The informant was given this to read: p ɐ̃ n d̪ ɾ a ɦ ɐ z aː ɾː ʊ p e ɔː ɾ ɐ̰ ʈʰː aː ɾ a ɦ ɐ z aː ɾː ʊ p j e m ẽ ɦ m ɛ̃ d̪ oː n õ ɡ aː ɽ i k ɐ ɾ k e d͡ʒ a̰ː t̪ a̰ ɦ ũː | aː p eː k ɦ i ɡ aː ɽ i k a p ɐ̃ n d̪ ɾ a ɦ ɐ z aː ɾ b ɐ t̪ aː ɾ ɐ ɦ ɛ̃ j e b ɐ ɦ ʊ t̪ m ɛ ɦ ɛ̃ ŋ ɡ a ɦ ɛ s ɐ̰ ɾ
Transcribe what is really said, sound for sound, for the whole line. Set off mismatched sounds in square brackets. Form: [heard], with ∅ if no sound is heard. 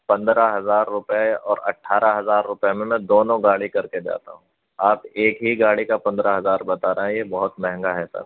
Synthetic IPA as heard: p ɐ̃ n d̪ ɾ a ɦ ɐ z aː ɾː ʊ p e ɔː ɾ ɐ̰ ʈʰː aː ɾ a ɦ ɐ z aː ɾː ʊ p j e m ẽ [∅] m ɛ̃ d̪ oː n õ ɡ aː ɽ i k ɐ ɾ k e d͡ʒ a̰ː t̪ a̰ ɦ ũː | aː p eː k ɦ i ɡ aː ɽ i k a p ɐ̃ n d̪ ɾ a ɦ ɐ z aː ɾ b ɐ t̪ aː ɾ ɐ ɦ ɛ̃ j e b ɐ ɦ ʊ t̪ m ɛ ɦ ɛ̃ ŋ ɡ a ɦ ɛ s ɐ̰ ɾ